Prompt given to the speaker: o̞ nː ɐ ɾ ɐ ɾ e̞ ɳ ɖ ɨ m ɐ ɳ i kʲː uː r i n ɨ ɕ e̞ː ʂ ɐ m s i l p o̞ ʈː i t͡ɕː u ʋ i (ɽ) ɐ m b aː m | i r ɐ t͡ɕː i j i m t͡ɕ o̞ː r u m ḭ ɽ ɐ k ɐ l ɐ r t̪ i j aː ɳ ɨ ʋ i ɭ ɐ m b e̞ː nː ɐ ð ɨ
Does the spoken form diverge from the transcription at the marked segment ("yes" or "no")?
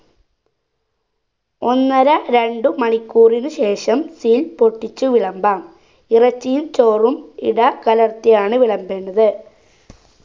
yes